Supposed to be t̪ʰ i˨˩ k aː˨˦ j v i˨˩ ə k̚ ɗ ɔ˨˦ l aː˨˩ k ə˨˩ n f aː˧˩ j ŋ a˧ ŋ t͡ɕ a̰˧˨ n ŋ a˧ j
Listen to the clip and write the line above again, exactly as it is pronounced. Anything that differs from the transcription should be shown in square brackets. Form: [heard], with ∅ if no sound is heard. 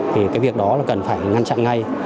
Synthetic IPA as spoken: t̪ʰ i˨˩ k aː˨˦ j v i˨˩ ə k̚ ɗ ɔ˨˦ l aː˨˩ k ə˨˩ n f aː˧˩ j ŋ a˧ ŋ t͡ɕ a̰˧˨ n ŋ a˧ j